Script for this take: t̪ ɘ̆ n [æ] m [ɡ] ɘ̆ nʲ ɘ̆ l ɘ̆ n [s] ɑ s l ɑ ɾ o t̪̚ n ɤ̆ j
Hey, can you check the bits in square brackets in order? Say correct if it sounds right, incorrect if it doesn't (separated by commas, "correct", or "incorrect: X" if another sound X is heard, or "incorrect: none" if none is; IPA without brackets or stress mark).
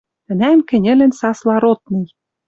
correct, incorrect: k, correct